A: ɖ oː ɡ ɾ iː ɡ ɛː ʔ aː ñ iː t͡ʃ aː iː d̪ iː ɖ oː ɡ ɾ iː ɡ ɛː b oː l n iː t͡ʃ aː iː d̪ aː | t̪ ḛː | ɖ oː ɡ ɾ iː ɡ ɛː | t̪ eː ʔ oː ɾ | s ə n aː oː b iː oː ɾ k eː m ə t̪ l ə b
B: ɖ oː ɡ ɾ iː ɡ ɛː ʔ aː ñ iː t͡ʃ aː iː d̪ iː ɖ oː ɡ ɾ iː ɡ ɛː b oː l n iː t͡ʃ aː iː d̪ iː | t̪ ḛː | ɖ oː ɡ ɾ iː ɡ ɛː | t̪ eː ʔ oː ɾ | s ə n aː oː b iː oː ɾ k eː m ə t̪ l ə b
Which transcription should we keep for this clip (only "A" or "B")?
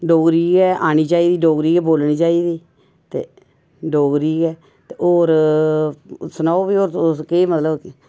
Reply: B